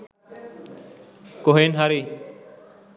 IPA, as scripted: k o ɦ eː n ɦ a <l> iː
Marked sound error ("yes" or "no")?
yes